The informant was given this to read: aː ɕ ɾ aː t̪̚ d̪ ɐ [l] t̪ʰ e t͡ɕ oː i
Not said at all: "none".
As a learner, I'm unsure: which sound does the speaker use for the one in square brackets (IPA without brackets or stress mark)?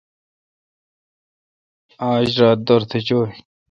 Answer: ɾ